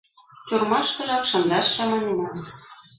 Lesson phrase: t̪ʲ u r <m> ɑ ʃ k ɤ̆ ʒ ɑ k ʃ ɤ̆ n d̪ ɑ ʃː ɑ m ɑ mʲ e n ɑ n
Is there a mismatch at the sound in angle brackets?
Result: no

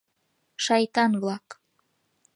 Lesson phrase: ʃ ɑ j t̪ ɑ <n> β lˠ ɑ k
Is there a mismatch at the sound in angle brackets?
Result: no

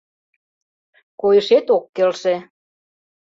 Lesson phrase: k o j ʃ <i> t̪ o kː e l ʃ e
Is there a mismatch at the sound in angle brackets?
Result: yes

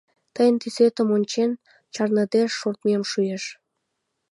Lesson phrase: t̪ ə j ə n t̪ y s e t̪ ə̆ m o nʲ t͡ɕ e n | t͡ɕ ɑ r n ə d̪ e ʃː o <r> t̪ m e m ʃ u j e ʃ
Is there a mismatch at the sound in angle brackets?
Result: no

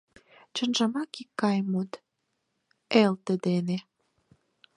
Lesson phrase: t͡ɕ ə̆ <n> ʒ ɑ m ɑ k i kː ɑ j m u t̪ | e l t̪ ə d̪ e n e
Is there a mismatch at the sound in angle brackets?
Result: no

